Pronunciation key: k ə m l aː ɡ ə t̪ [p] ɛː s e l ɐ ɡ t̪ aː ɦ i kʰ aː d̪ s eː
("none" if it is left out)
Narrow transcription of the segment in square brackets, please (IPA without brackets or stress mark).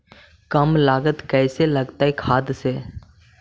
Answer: k